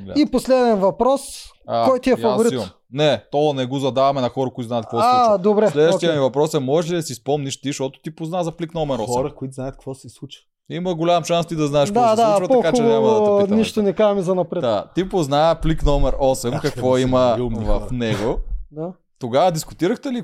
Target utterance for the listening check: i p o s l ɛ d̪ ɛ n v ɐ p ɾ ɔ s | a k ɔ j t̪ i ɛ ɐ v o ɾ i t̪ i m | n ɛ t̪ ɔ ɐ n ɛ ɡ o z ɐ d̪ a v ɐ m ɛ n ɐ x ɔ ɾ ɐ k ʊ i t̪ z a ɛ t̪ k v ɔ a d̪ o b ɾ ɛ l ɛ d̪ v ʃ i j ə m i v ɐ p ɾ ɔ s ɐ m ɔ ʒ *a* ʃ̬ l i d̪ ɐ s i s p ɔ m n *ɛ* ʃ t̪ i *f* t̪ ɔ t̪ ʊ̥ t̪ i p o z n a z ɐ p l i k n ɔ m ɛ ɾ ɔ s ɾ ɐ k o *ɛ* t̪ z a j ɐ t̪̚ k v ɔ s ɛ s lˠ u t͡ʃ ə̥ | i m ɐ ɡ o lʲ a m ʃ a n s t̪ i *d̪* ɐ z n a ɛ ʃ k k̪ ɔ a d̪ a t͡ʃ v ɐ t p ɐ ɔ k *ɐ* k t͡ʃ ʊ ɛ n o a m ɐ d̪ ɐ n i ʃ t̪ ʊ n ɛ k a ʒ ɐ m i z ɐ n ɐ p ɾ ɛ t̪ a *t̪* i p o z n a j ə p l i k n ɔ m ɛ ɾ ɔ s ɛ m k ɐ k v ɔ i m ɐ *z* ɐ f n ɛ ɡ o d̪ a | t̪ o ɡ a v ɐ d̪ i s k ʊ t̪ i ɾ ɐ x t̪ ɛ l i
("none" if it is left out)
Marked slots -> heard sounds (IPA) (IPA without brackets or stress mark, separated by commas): ɛ, i, ʃ, i, d̪, a, t̪, v